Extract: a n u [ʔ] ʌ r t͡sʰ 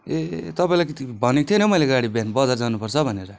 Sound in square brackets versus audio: incorrect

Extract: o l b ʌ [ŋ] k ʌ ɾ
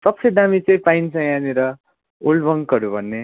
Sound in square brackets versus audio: correct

